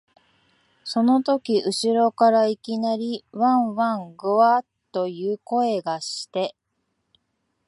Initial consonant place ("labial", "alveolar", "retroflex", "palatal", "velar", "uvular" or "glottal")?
alveolar